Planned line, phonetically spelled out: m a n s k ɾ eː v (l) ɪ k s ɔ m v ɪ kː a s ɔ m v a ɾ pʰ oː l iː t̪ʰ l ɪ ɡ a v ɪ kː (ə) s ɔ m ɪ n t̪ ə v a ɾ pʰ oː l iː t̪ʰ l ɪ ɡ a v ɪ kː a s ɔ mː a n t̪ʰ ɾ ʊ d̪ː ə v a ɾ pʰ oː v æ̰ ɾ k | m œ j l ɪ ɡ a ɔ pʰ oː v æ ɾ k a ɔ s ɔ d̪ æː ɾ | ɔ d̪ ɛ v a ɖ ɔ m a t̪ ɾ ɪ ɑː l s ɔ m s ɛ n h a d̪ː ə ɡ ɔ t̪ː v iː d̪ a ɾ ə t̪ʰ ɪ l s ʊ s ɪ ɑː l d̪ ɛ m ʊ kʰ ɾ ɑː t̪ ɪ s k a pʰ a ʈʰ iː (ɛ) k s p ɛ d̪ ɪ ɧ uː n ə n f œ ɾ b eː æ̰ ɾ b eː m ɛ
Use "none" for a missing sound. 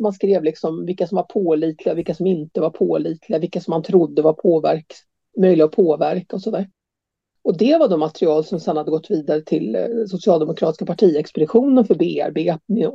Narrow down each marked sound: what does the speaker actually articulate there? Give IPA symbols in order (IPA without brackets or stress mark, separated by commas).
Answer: l, a, ɛ